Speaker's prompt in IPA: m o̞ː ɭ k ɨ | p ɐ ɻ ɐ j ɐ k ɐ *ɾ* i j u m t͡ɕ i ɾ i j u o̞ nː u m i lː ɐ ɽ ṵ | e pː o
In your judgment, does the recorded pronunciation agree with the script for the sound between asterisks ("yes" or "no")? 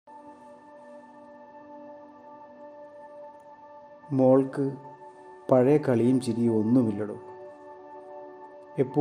no